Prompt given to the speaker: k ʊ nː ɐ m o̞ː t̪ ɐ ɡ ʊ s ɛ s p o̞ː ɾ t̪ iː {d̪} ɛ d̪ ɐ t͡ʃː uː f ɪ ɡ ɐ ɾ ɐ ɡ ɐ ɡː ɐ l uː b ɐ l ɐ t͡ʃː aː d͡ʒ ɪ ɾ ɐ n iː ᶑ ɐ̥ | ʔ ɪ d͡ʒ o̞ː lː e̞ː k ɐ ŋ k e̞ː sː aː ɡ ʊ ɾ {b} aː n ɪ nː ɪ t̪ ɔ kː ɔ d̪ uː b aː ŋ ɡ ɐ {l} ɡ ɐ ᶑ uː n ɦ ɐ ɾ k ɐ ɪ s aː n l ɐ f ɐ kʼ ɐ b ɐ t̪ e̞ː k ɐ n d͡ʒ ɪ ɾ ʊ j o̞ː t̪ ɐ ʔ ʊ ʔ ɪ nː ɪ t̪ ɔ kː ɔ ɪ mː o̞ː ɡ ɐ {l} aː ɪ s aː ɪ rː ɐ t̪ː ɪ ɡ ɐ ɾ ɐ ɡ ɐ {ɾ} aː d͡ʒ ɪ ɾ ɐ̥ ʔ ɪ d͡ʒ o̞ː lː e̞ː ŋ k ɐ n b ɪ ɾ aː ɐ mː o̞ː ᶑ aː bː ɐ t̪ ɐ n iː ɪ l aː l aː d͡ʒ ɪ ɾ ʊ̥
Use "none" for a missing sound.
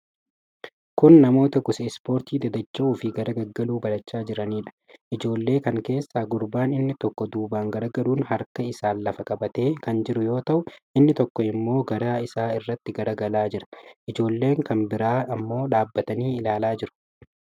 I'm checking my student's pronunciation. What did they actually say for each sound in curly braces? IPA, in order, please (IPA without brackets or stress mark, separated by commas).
d̪, b, ɾ, ɾ, l